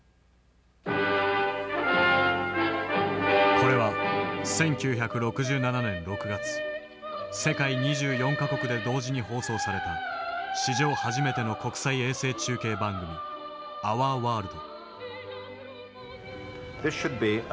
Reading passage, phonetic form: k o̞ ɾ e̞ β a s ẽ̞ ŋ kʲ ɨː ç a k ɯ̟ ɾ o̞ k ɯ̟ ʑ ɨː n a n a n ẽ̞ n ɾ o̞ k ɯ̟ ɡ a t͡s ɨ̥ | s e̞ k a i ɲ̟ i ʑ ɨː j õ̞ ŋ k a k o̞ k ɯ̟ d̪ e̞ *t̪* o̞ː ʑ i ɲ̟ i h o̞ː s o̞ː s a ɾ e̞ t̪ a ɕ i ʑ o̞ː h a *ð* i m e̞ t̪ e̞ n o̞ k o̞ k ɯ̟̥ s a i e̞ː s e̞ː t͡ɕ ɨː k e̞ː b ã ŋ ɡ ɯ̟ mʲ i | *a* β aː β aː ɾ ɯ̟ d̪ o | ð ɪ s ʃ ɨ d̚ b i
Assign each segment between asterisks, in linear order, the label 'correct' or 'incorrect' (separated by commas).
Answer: incorrect, incorrect, correct